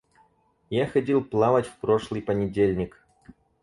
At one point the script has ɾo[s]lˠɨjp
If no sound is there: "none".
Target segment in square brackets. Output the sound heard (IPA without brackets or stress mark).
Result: ʂ